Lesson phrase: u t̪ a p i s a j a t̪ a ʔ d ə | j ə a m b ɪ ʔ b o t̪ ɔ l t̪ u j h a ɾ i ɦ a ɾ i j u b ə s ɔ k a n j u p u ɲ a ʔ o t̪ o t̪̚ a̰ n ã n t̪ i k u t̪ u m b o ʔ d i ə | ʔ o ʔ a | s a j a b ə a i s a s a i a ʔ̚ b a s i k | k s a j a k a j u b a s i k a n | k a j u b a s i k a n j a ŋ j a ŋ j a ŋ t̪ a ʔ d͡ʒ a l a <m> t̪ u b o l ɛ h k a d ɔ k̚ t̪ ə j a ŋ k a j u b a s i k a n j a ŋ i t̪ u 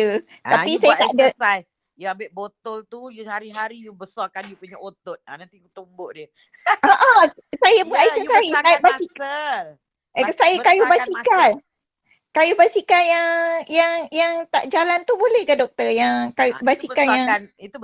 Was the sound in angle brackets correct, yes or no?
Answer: no